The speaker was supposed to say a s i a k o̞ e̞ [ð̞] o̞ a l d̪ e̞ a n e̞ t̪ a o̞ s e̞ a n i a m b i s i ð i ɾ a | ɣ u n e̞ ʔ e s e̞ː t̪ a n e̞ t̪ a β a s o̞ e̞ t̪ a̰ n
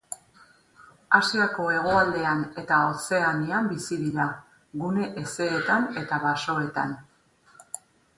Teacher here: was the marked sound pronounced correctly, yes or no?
no